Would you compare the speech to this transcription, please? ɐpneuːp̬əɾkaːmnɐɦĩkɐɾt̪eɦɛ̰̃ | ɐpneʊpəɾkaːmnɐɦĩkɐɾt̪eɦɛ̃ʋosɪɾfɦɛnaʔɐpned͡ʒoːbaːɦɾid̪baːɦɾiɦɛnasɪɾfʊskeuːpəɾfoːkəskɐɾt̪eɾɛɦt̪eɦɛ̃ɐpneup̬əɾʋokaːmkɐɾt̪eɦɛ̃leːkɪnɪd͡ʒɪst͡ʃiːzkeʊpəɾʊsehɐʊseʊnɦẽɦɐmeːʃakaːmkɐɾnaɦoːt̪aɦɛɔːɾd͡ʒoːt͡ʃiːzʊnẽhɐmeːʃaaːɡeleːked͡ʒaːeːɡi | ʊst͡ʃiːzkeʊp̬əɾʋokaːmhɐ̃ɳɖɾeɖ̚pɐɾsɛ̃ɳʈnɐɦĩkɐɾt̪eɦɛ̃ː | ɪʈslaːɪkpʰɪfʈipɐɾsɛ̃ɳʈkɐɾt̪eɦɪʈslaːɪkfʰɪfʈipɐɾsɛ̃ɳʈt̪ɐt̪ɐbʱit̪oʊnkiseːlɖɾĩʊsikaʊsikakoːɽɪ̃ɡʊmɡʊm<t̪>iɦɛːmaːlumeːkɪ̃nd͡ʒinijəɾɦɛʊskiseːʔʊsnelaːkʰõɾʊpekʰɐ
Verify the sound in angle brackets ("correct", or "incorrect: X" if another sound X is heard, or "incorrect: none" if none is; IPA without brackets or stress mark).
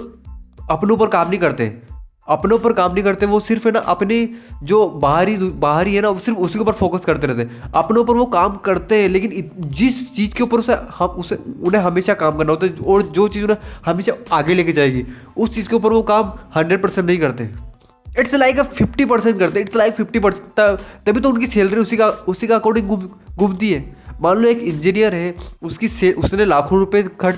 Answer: correct